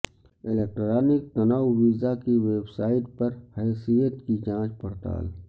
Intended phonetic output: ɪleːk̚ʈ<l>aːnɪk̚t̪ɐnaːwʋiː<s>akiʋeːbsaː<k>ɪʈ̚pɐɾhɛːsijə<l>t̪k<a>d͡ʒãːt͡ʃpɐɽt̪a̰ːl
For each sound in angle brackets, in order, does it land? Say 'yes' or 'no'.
no, no, no, no, no

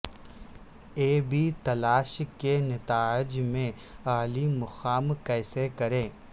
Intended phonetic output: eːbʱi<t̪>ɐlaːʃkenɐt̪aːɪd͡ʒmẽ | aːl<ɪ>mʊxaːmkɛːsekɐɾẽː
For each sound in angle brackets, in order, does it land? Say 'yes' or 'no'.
yes, no

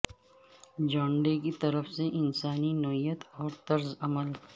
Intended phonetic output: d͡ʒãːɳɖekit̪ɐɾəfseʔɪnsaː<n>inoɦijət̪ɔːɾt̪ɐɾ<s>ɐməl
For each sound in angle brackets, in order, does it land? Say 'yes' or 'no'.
yes, no

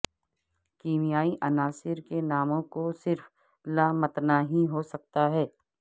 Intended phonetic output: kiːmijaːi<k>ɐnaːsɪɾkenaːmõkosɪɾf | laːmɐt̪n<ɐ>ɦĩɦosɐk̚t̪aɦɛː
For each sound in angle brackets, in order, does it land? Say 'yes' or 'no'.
no, no

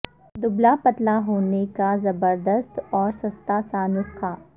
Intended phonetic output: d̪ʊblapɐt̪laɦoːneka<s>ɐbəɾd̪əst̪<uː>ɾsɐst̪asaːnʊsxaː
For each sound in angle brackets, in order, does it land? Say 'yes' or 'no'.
no, no

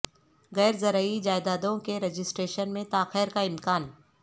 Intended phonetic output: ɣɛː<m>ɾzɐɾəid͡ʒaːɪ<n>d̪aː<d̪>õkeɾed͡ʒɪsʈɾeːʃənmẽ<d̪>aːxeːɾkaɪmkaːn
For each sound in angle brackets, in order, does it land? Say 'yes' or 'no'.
no, no, yes, no

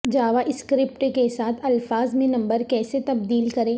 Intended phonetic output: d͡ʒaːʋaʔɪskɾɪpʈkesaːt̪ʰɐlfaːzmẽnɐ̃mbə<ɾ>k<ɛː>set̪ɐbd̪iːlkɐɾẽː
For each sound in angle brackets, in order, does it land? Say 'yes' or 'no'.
yes, yes

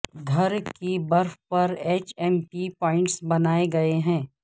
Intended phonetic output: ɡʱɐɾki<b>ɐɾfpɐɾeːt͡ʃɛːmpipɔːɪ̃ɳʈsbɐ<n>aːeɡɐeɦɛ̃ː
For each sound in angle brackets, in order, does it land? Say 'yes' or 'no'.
yes, yes

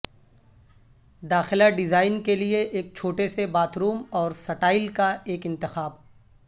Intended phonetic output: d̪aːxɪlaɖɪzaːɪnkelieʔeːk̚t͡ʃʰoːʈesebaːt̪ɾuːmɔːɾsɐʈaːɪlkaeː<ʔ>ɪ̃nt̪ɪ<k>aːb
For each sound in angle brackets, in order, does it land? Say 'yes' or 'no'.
no, no

